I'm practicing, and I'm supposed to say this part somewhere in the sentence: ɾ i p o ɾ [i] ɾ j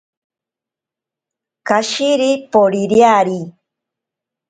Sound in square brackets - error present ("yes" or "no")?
no